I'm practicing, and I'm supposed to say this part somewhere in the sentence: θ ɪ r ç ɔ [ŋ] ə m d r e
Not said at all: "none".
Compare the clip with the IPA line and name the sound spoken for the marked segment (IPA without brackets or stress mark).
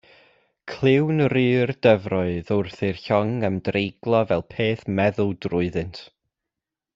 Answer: ŋ